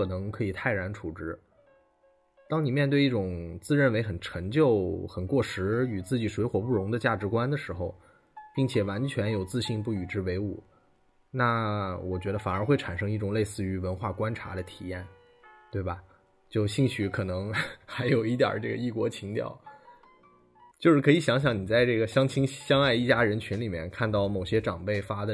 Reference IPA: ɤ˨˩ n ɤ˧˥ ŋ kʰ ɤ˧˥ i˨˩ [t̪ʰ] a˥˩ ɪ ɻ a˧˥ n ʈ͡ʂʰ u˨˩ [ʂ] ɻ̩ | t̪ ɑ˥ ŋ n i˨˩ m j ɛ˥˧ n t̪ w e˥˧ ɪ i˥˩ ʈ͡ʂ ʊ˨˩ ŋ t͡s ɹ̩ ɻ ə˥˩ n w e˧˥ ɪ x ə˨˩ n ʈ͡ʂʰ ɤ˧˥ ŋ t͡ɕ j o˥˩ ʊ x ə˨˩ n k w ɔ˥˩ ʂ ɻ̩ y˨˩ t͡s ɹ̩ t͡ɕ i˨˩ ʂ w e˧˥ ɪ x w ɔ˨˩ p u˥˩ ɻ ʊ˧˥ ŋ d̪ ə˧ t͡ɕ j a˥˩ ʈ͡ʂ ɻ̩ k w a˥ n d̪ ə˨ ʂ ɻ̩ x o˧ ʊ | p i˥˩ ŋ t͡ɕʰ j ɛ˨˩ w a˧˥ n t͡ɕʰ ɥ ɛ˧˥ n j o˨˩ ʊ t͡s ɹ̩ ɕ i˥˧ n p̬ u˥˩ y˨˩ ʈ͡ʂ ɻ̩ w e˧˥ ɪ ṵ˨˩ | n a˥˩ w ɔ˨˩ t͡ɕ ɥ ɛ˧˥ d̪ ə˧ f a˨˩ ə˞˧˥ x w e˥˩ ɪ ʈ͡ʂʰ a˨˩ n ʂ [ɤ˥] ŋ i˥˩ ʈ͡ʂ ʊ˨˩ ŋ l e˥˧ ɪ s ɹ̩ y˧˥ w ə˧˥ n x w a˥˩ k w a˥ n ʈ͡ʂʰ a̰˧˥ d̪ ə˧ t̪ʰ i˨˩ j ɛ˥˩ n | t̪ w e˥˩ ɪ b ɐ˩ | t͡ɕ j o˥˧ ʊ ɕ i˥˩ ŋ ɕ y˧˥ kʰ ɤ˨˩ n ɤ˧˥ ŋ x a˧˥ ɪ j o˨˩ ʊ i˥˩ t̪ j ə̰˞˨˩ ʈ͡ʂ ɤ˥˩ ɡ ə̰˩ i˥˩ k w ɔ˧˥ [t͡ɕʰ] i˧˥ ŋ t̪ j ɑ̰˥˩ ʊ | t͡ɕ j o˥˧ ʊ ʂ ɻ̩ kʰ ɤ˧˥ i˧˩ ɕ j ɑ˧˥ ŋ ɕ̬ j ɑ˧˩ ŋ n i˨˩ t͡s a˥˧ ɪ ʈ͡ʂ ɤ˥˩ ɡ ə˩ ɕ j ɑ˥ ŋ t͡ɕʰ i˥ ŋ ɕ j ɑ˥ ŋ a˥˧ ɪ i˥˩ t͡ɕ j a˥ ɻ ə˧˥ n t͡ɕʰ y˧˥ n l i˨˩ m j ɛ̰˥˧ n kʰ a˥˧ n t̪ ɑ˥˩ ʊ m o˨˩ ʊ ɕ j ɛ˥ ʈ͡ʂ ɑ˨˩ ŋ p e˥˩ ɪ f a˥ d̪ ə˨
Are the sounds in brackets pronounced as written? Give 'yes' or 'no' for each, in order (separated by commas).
yes, no, yes, yes